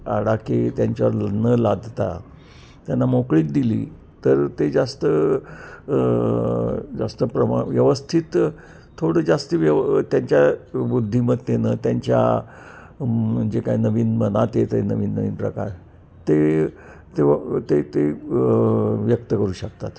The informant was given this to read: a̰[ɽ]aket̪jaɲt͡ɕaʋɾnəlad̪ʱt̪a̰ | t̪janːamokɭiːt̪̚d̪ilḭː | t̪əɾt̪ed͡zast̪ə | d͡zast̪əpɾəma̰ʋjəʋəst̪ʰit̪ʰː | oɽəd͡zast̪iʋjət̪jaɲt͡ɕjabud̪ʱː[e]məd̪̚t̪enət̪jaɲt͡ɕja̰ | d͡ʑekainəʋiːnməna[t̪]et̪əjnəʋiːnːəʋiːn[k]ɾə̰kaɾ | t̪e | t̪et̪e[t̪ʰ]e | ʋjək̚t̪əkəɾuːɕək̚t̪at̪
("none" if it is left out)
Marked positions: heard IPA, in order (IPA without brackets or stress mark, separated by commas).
ɽ, i, t̪, p, t̪